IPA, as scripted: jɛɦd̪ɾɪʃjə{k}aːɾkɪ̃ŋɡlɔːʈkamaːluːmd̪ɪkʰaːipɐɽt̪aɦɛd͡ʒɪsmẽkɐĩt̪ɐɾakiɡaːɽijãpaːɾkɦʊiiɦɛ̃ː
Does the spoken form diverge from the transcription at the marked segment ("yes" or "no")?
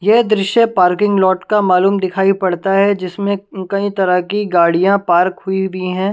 yes